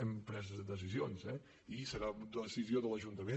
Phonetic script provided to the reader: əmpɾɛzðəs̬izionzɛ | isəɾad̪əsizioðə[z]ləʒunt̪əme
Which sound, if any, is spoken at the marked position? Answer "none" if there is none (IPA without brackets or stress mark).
none